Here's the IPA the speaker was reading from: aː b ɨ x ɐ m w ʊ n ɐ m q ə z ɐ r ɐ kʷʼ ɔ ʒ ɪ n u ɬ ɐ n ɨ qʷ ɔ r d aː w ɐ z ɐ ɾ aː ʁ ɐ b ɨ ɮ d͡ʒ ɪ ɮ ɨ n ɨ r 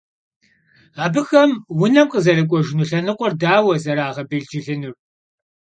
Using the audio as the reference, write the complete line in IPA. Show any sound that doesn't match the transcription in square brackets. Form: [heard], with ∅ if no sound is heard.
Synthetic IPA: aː b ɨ x ɐ m w ʊ n ɐ m q ə z ɐ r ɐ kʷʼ ɔ ʒ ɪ n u ɬ ɐ n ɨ qʷ ɔ r d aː w ɐ z ɐ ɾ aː ʁ ɐ b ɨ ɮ d͡ʒ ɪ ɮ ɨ n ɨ r